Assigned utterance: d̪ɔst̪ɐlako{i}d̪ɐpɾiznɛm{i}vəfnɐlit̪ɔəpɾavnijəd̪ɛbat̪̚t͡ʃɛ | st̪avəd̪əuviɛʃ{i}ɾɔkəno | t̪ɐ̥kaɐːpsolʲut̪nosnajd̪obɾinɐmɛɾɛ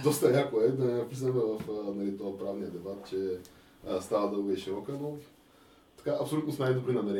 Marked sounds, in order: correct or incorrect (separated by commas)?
incorrect, incorrect, correct